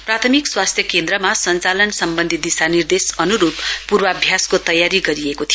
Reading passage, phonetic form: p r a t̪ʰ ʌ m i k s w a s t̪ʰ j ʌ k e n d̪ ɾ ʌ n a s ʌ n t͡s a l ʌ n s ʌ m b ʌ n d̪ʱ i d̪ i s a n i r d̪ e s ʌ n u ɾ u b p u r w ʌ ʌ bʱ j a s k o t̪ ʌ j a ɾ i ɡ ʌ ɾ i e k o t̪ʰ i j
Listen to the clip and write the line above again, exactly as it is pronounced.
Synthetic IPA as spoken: p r a t̪ʰ ʌ m i k s w a s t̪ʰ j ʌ k e n d̪ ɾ ʌ m a s ʌ n t͡s a l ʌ n s ʌ m b ʌ n d̪ʱ i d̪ i s a n i r d̪ e s ʌ n u ɾ u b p u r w ʌ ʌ bʱ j a s k o t̪ ʌ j a ɾ i ɡ ʌ ɾ i e k o t̪ʰ i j